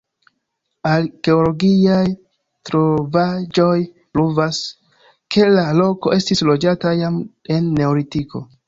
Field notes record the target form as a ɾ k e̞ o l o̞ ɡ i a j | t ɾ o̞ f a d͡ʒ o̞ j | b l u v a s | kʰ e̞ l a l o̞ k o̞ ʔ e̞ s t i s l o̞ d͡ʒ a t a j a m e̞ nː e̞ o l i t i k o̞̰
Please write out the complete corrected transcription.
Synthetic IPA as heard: a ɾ k e̞ o l o̞ ɡ i a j | t ɾ o̞ v a d͡ʒ o̞ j | p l u v a s | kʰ e̞ l a l o̞ k o̞ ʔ e̞ s t i s l o̞ d͡ʒ a t a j a m e̞ nː e̞ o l i t i k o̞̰

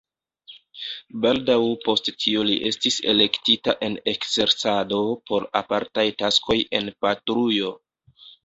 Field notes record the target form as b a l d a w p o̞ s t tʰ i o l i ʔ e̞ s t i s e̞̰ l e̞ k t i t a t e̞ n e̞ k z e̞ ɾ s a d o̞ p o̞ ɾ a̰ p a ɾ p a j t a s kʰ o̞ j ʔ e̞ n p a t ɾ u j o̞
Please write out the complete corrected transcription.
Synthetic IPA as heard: b a l d a w p o̞ s t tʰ i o l i ʔ e̞ s t i s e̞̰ l e̞ k t i t a ʔ e̞ n e̞ k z e̞ ɾ s a d o̞ p o̞ ɾ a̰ p a ɾ t a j t a s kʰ o̞ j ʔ e̞ n p a t ɾ u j o̞

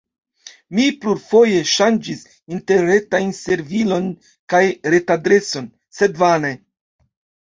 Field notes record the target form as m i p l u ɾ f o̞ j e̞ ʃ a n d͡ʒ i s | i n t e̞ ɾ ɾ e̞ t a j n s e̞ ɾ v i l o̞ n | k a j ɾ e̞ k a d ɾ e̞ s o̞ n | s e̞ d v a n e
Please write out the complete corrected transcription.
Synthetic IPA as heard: m i p l u ɾ f o̞ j e̞ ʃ a n d͡ʒ i s | i n t e̞ ɾ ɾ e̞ t a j n s e̞ ɾ v i l o̞ n | k a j ɾ e̞ t a d ɾ e̞ s o̞ n | s e̞ d v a n e

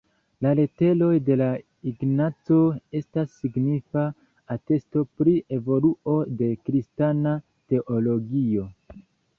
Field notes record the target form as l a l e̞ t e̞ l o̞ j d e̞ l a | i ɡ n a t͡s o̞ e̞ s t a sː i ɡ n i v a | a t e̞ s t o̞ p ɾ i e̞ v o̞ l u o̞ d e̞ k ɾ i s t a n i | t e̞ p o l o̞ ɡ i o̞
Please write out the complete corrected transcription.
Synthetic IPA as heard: l a l e̞ t e̞ l o̞ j d e̞ l a | i ɡ n a t͡s o̞ e̞ s t a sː i ɡ n i f a | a t e̞ s t o̞ p ɾ i e̞ v o̞ l u o̞ d e̞ k ɾ i s t a n a | t e̞ ʔ o l o̞ ɡ i o̞

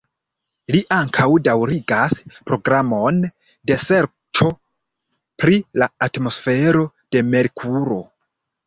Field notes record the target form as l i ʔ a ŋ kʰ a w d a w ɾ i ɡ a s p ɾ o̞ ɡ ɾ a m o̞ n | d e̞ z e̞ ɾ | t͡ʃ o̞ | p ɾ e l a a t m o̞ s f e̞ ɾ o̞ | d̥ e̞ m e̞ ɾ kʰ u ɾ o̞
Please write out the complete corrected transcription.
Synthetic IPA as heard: l i ʔ a ŋ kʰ a w d a w ɾ i ɡ a s p ɾ o̞ ɡ ɾ a m o̞ n | d e̞ s e̞ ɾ | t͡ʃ o̞ | p ɾ i l a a t m o̞ s f e̞ ɾ o̞ | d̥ e̞ m e̞ ɾ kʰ u ɾ o̞

